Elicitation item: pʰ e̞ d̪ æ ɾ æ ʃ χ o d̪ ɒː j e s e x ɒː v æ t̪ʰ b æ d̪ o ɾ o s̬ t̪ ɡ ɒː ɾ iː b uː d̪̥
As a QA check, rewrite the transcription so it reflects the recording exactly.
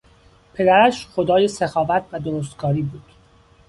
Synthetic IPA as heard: pʰ e̞ d̪ æ ɾ æ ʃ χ o d̪ ɒː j e s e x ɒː v æ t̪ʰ v æ d̪ o ɾ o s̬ t̪ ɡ ɒː ɾ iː b uː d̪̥